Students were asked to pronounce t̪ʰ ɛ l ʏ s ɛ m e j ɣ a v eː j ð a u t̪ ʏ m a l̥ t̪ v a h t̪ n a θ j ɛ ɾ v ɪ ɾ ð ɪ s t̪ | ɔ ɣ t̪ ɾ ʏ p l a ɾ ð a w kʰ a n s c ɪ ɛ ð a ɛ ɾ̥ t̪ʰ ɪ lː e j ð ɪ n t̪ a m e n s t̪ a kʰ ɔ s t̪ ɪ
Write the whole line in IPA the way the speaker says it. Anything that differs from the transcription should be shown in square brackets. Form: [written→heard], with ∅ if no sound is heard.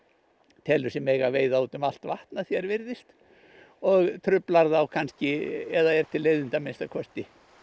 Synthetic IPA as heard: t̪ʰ ɛ l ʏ s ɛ m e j ɣ a v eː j ð a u t̪ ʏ m a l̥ t̪ v a h t̪ n a θ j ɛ ɾ v ɪ ɾ ð ɪ s t̪ | ɔ ɣ [t̪→t̪ʰ] ɾ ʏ p l a ɾ ð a w kʰ a n s c ɪ ɛ ð a ɛ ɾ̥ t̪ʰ ɪ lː e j ð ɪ n t̪ a m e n s t̪ a kʰ ɔ s t̪ ɪ